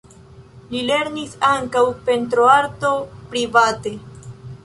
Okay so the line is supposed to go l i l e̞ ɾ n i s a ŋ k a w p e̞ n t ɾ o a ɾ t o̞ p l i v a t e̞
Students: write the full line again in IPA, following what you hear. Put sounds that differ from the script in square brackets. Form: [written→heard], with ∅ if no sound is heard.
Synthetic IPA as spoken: l i l e̞ ɾ n i s a ŋ k a w p e̞ n t ɾ o a ɾ t o̞ p [l→ɾ] i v a t e̞